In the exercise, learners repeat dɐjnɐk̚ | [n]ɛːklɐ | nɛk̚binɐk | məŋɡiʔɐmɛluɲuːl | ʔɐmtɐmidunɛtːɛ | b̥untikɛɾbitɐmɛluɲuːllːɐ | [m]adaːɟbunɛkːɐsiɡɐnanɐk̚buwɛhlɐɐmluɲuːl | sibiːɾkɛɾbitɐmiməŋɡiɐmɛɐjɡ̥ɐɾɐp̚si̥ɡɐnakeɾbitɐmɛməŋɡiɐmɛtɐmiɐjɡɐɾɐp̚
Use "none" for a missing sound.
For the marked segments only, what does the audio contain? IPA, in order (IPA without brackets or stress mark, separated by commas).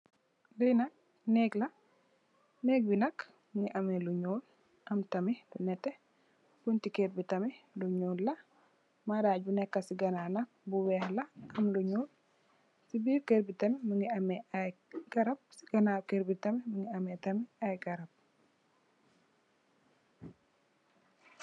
n, m